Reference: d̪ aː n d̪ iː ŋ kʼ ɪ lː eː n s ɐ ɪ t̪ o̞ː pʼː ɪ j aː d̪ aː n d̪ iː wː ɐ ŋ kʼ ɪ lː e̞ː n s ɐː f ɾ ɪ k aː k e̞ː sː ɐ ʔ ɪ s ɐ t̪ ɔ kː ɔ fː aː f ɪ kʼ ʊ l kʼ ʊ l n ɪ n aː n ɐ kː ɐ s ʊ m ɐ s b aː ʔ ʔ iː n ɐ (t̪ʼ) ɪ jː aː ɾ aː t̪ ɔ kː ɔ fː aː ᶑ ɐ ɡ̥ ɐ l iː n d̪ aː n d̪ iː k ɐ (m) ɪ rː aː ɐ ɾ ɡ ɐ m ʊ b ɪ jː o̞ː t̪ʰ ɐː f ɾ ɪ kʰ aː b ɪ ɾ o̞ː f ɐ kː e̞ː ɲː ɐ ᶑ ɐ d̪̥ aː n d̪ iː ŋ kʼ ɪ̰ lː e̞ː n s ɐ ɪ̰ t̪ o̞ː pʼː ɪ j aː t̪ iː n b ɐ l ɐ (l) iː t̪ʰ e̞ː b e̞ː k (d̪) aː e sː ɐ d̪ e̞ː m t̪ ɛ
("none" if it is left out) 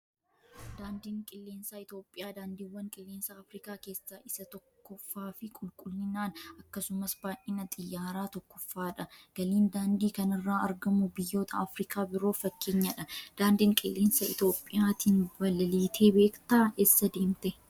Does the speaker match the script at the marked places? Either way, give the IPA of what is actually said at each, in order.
t̪ʼ, n, l, t̪

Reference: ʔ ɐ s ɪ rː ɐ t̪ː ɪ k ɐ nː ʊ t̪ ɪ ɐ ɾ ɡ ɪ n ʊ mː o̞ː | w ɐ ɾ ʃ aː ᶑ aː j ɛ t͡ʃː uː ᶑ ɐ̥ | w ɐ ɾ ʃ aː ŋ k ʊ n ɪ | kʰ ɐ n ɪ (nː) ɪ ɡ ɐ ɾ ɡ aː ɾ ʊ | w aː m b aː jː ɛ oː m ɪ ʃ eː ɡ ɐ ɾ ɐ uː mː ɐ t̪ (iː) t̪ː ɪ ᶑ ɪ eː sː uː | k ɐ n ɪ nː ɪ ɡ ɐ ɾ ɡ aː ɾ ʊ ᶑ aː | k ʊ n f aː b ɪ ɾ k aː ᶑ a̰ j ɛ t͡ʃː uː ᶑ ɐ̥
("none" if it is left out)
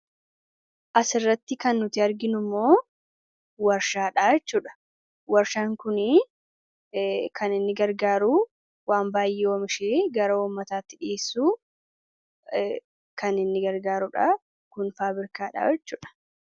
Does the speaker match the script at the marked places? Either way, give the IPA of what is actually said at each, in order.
nː, aː

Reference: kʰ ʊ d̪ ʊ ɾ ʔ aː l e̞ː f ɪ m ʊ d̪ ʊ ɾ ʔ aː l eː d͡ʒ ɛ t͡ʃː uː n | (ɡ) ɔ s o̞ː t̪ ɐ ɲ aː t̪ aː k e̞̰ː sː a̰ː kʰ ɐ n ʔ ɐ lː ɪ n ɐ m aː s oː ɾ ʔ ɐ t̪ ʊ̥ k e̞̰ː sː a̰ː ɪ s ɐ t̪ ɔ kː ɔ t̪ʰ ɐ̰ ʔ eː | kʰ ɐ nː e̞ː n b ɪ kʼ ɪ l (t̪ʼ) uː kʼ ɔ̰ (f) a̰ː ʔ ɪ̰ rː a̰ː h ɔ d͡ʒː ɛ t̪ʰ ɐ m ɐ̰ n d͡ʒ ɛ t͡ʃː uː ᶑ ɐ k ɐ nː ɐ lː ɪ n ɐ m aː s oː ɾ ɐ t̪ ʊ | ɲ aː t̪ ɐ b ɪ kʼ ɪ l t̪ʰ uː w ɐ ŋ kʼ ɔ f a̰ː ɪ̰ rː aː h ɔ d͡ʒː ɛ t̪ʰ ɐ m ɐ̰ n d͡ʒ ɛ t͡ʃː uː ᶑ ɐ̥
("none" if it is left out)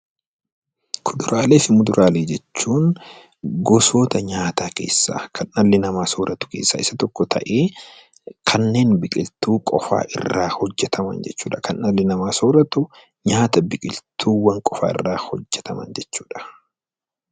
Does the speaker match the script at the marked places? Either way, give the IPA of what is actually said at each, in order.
ɡ, t̪, f

